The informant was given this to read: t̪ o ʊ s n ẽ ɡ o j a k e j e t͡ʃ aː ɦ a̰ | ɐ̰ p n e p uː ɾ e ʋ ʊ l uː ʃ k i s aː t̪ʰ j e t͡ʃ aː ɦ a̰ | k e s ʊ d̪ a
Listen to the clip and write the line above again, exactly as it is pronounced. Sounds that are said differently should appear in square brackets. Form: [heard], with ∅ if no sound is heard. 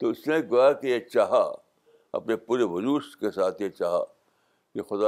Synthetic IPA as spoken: t̪ o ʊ s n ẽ ɡ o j a k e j e t͡ʃ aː ɦ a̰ | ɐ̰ p n e p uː ɾ e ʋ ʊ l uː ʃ k [e] s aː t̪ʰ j e t͡ʃ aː ɦ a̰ | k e [x] ʊ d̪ a